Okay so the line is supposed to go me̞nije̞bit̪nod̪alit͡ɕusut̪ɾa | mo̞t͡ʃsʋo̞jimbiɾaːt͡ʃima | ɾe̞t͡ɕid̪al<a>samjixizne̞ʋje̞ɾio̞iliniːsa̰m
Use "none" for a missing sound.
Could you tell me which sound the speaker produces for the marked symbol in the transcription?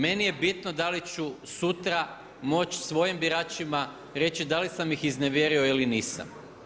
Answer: i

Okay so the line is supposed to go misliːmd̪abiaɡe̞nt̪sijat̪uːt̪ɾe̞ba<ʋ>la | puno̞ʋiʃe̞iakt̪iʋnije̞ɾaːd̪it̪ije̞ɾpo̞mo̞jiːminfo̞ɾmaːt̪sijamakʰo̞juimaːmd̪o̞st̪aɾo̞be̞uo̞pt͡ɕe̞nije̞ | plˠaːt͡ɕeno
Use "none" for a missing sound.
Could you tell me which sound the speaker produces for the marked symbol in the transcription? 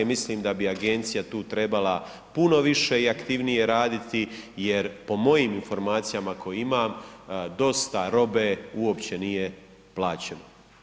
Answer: none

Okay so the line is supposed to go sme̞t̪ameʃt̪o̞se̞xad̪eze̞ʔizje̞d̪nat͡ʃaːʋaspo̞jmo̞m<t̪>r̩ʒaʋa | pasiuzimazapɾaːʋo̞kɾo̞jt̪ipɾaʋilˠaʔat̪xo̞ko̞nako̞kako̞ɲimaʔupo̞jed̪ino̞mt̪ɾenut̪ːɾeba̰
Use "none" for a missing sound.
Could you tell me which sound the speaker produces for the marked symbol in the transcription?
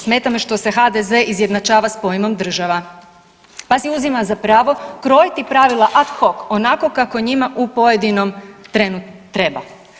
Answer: d̪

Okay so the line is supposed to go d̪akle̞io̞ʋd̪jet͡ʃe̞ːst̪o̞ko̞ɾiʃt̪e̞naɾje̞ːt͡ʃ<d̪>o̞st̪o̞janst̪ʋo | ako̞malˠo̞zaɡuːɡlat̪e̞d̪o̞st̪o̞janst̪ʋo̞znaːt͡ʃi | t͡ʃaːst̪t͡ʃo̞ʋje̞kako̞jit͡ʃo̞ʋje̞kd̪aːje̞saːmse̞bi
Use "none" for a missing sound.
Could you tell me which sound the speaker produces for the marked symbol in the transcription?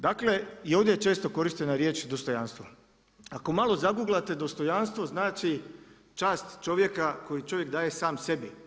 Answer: d̪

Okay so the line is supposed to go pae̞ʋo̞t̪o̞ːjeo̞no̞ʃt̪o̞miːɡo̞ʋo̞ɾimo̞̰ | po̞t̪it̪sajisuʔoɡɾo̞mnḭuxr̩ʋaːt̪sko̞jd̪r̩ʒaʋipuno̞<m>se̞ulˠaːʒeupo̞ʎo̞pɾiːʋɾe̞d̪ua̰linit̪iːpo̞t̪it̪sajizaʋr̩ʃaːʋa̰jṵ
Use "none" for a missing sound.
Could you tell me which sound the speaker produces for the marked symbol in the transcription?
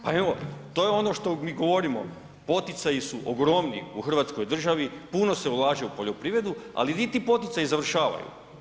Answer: none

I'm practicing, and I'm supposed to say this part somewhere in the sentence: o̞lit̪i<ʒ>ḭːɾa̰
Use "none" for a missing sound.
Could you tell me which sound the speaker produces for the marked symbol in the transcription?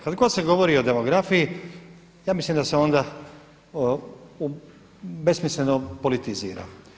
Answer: z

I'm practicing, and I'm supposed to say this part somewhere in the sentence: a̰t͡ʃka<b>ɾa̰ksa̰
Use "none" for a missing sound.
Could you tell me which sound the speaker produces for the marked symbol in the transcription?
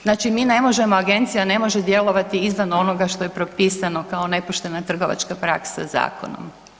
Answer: p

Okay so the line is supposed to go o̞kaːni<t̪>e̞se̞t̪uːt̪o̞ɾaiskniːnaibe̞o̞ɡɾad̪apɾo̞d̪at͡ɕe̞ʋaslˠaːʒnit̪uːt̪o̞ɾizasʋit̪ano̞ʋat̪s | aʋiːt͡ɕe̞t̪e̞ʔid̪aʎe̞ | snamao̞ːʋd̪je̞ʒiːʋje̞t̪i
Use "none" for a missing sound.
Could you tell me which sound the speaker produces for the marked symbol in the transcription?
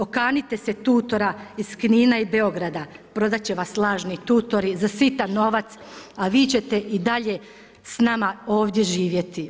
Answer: t̪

